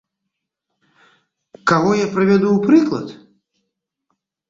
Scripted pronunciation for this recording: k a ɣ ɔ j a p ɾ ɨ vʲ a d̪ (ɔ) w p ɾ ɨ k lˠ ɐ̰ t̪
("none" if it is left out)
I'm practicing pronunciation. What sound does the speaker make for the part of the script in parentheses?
u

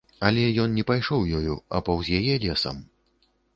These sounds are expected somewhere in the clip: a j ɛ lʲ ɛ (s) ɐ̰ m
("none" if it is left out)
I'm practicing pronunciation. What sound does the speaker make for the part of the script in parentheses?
s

